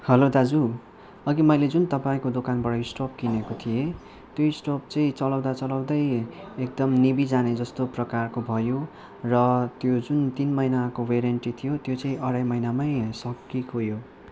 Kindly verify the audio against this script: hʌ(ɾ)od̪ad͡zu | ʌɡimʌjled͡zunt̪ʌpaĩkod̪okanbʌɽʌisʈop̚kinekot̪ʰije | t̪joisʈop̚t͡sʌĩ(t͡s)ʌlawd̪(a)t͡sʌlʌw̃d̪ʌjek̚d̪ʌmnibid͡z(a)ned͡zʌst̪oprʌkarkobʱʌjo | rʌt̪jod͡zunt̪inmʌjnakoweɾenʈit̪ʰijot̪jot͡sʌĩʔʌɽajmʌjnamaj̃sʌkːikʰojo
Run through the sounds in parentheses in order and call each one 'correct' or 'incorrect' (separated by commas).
incorrect, correct, correct, correct